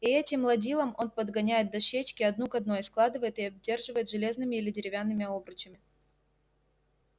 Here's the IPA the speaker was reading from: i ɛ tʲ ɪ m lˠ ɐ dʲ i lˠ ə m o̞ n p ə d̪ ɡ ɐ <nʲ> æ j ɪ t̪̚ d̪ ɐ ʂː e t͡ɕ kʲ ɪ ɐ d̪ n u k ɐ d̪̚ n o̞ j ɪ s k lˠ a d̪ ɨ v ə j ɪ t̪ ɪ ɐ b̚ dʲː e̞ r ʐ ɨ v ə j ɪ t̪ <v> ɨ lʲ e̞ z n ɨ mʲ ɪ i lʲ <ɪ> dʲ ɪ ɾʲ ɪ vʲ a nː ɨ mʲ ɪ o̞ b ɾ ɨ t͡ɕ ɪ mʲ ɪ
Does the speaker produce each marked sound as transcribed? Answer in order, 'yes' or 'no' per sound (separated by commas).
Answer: yes, no, yes